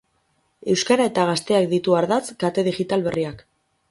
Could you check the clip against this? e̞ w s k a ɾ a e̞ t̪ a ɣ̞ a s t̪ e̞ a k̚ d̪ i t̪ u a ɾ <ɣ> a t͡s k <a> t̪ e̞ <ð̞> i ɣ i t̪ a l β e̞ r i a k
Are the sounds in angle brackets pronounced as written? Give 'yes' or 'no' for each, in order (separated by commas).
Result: no, yes, yes